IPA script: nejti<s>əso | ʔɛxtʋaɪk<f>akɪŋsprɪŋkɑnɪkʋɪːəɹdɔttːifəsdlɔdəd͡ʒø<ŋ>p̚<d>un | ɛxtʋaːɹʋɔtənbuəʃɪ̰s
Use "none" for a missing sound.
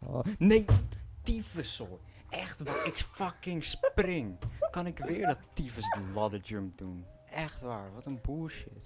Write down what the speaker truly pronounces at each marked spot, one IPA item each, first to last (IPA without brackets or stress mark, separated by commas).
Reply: f, f, m, d